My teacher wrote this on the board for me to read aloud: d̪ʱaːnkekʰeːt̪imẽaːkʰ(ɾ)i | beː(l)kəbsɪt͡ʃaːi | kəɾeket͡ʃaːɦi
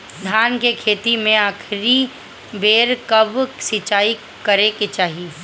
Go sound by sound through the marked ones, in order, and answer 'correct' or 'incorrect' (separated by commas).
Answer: correct, incorrect